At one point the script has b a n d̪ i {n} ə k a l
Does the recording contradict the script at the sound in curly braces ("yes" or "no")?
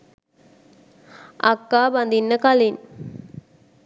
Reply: yes